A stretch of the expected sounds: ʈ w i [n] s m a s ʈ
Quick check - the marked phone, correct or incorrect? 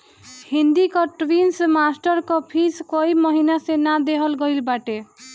correct